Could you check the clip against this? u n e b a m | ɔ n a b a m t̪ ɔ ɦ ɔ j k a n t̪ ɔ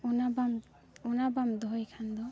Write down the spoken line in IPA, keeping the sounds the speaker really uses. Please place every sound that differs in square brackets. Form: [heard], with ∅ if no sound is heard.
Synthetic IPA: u n [a] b a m | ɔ n a b a m [d̪] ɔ ɦ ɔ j [kʰ] a n [d̪] ɔ